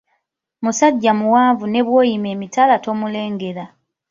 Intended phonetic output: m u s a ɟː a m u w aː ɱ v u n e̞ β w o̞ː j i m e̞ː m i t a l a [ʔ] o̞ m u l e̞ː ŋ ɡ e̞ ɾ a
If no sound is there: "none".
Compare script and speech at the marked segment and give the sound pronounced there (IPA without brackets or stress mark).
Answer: t